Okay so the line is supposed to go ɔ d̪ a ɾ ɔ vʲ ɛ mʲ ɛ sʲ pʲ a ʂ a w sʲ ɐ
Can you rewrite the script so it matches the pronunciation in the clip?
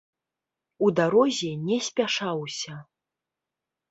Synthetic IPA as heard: u d̪ a ɾ ɔ zʲ ɛ nʲ ɛ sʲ pʲ a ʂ a w sʲ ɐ